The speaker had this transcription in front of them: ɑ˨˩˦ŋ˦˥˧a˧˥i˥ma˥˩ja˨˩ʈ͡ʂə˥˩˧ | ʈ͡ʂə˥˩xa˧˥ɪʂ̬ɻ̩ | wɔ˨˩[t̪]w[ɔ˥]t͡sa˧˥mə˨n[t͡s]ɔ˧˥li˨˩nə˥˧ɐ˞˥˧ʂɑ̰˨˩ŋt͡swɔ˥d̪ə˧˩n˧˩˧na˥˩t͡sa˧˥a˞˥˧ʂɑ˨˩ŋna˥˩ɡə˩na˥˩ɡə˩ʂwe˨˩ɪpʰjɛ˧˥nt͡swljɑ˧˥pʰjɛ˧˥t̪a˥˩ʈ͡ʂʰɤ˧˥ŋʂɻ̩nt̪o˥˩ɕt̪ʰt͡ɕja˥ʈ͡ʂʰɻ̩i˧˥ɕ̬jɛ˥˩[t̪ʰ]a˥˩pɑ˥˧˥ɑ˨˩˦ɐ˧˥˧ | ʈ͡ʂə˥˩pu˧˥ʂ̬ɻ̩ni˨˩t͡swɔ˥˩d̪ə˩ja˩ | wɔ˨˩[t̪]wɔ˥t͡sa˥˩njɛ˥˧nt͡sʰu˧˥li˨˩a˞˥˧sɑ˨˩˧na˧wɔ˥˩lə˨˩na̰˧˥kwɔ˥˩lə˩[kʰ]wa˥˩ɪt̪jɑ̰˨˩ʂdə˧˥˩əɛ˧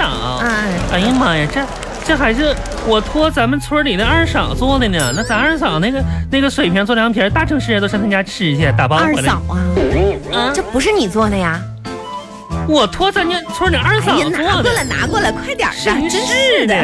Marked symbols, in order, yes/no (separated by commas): no, yes, no, no, no, yes